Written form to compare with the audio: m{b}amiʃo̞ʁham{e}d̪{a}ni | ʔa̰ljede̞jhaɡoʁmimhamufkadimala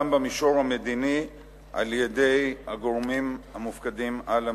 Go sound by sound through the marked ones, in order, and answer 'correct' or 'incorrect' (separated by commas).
correct, correct, incorrect